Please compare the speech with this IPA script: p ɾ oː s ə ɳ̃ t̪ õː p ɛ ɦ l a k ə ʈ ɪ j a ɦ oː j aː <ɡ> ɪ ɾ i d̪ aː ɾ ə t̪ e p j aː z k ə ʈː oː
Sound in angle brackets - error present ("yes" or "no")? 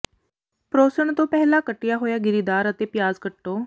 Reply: no